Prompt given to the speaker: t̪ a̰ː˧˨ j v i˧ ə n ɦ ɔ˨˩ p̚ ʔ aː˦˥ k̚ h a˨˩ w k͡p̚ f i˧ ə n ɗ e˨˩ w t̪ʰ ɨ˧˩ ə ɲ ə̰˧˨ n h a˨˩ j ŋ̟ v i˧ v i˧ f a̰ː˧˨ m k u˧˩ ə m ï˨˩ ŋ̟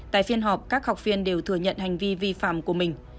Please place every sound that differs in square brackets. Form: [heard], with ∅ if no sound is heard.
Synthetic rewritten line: t̪ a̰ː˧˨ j [f] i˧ ə n ɦ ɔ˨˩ p̚ [k] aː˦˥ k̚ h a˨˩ w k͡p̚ f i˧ ə n ɗ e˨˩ w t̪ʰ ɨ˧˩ ə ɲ ə̰˧˨ n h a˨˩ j ŋ̟ v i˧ v i˧ f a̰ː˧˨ m k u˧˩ ə m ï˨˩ ŋ̟